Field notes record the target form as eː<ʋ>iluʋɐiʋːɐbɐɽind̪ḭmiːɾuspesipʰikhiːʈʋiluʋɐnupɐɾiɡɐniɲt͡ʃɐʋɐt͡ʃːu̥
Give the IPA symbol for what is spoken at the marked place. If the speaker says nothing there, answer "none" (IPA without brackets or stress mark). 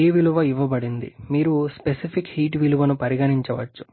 ʋ